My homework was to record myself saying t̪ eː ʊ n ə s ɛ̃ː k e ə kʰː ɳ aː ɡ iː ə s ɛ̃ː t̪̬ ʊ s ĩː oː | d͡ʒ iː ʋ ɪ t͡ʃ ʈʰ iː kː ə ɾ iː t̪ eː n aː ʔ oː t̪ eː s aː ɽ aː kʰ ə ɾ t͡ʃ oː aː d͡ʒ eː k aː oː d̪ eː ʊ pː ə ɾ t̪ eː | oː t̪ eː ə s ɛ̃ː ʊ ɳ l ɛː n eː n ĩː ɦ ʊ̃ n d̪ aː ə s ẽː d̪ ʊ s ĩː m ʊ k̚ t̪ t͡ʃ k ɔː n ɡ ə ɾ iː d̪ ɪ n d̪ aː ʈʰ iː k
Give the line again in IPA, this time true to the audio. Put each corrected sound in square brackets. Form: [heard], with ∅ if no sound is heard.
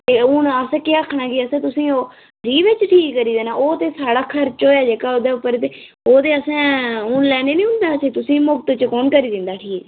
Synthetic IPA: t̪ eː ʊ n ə s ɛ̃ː k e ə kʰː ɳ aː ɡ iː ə s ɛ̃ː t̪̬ ʊ s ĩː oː | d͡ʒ iː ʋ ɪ t͡ʃ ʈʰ iː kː ə ɾ iː [d̪] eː n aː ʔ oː t̪ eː s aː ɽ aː kʰ ə ɾ t͡ʃ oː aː d͡ʒ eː k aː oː d̪ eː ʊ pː ə ɾ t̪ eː | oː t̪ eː ə s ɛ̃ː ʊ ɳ l ɛː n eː n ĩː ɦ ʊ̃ n d̪ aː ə s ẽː [t̪] ʊ s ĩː m ʊ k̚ t̪ t͡ʃ k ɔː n [k] ə ɾ iː d̪ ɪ n d̪ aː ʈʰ iː k